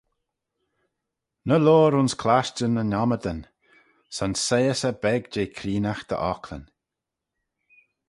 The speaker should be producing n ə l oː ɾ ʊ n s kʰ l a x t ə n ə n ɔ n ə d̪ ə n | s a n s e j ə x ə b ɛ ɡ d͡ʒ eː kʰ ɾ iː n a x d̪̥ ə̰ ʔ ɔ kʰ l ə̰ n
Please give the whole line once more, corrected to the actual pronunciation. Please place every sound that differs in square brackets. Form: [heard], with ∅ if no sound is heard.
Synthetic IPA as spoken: n ə l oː ɾ ʊ n s kʰ l a [ʃ] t ə n ə n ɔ [m] ə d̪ ə n | s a n s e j ə [s] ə b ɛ ɡ d͡ʒ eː kʰ ɾ iː n a x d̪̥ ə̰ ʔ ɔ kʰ l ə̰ n